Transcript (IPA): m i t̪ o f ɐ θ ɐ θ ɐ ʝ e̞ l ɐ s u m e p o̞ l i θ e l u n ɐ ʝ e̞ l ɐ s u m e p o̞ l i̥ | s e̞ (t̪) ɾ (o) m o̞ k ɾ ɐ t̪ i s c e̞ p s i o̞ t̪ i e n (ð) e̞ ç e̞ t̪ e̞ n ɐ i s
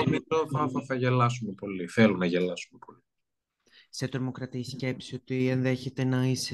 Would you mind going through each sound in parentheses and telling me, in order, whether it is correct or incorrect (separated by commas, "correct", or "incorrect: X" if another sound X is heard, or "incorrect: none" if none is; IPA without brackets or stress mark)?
correct, correct, correct